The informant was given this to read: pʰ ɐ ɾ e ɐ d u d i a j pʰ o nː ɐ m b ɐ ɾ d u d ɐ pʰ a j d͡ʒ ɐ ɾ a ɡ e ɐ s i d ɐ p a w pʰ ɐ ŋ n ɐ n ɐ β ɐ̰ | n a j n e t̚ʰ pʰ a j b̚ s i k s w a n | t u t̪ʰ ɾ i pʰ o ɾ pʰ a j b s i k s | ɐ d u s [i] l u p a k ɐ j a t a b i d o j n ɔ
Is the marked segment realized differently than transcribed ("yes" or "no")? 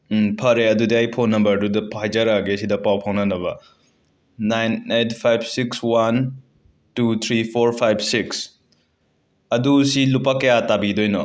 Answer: no